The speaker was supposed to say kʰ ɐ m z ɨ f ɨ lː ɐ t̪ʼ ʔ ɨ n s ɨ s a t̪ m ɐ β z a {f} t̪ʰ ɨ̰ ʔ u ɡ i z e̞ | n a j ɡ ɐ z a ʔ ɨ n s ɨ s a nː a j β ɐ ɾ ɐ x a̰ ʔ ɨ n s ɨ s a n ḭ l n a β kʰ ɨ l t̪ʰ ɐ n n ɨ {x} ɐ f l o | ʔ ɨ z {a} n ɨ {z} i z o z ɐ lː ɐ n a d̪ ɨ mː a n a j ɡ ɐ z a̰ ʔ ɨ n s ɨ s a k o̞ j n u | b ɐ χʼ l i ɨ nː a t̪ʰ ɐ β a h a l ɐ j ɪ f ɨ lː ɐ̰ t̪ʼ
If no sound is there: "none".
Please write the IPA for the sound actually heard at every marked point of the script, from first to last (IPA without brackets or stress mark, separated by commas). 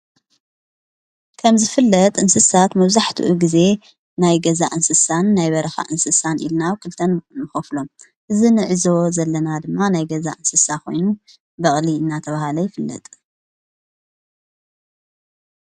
ħ, x, i, ʕ